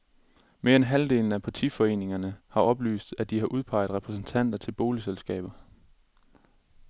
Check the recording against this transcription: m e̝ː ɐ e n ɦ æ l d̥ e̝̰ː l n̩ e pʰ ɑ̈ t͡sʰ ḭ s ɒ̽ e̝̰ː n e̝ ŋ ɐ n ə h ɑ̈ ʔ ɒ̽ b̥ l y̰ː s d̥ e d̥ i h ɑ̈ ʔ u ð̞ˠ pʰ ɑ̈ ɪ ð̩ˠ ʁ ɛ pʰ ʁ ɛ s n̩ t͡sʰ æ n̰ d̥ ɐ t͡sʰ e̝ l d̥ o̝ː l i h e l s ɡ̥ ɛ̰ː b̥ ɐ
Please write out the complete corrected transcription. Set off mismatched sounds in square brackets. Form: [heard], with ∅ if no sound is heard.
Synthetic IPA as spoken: m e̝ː ɐ e n ɦ æ l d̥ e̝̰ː l n̩ [æ] pʰ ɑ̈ t͡sʰ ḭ [f] ɒ̽ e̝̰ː n e̝ ŋ ɐ n ə h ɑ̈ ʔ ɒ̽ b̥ l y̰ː s d̥ [æ] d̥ i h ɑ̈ ʔ u ð̞ˠ pʰ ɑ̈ ɪ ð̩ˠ ʁ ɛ pʰ ʁ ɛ s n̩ t͡sʰ æ n̰ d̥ ɐ t͡sʰ e̝ l [b̥] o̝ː l i [s] e l s ɡ̥ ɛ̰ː b̥ ɐ